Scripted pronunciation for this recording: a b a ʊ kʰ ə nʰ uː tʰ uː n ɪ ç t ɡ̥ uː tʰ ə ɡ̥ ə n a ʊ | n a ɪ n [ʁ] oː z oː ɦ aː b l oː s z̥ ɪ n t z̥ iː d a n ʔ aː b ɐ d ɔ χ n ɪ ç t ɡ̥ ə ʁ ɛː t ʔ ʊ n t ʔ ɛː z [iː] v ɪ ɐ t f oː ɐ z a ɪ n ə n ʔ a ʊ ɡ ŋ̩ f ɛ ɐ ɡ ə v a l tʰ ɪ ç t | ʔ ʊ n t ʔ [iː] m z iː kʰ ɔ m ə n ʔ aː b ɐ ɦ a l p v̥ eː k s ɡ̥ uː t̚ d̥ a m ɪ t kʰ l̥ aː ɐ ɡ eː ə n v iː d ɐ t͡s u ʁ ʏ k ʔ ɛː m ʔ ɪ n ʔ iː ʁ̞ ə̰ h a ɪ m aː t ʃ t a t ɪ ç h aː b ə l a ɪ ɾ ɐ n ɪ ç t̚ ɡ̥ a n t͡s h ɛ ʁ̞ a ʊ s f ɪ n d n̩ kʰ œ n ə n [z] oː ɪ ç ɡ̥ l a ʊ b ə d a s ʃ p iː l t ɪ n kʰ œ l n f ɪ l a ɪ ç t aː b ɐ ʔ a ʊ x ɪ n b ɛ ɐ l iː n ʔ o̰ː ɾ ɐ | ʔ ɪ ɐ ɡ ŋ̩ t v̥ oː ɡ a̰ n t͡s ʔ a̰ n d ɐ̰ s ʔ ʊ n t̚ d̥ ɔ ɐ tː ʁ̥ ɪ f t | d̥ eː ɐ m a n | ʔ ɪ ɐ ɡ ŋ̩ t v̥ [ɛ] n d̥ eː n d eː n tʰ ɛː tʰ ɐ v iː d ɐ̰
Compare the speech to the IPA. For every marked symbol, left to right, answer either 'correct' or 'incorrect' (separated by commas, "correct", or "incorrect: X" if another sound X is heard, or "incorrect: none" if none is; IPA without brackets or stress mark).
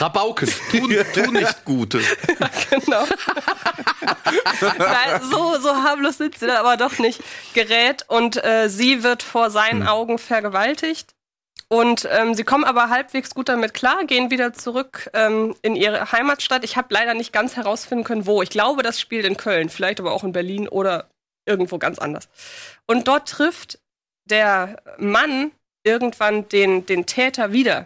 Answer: incorrect: z, correct, incorrect: ɛː, incorrect: v, incorrect: a